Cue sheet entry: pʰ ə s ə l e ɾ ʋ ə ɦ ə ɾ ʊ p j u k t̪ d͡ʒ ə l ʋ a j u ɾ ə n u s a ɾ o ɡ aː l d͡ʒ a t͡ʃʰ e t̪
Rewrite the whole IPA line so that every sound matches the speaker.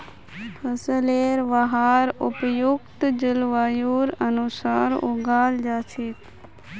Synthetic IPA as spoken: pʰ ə s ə l e ɾ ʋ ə ɦ a ɾ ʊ p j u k t̪ d͡ʒ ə l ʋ a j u ɾ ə n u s a ɾ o ɡ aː l d͡ʒ a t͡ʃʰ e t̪